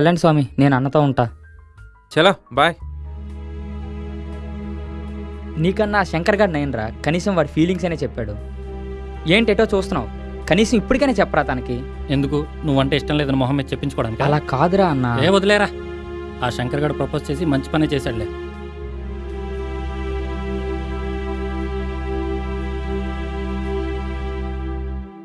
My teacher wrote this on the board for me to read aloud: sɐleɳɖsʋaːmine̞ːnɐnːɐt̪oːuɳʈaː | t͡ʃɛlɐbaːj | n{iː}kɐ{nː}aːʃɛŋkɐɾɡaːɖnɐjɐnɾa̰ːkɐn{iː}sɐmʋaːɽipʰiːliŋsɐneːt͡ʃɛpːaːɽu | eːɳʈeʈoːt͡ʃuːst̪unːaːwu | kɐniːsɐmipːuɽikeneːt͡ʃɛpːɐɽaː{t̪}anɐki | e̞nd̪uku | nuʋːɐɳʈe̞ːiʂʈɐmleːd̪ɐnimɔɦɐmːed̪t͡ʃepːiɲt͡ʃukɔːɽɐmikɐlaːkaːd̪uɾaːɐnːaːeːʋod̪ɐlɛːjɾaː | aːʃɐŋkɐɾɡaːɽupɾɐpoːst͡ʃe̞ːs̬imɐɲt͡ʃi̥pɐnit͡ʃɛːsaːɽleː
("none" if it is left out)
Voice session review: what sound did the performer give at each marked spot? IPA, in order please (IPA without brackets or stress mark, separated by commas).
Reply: iː, nː, iː, t̪